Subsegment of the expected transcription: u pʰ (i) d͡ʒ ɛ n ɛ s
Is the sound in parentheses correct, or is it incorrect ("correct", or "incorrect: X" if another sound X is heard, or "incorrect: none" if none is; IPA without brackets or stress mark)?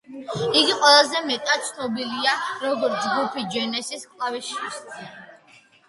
correct